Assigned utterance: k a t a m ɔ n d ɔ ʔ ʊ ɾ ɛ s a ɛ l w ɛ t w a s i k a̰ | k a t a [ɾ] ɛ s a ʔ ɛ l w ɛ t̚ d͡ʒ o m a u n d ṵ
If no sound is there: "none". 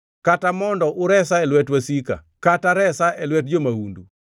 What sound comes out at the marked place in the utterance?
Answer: ɾ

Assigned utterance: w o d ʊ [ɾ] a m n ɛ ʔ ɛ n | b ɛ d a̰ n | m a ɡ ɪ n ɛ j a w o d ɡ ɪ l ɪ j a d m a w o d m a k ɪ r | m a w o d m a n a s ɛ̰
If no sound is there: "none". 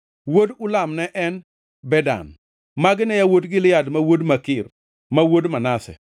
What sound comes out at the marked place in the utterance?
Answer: l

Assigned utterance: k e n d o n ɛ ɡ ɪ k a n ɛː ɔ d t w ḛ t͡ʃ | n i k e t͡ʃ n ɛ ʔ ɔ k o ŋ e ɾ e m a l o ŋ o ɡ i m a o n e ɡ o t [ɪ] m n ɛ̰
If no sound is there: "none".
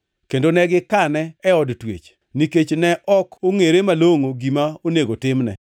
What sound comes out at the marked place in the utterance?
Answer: ɪ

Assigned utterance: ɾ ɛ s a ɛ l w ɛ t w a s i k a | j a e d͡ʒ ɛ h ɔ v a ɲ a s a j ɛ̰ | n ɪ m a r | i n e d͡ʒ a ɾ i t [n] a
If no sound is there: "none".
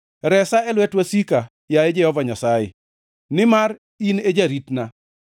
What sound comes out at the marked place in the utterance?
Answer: n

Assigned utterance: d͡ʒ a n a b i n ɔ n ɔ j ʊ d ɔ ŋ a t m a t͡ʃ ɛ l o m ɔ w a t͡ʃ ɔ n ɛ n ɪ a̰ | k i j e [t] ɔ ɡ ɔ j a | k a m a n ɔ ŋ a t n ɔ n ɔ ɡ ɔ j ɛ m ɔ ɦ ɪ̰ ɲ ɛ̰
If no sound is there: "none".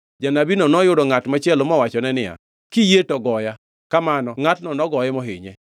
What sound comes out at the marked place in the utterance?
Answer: t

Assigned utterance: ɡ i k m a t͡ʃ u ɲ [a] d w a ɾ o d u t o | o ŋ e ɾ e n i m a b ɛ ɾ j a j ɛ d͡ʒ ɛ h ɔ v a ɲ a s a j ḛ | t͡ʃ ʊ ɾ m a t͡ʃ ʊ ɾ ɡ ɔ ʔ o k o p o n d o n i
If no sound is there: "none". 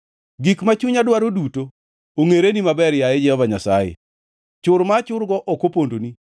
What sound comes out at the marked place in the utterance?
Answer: a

